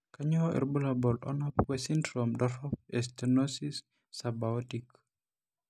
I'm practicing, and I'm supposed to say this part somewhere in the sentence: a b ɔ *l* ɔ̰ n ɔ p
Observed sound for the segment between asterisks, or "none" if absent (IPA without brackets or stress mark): l